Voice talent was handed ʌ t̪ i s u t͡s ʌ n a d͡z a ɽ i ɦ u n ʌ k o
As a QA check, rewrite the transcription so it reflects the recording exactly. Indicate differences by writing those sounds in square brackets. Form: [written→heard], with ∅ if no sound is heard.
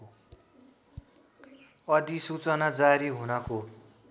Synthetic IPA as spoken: ʌ [t̪→d̪] i s u t͡s ʌ n a d͡z a [ɽ→ɾ] i ɦ u n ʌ k o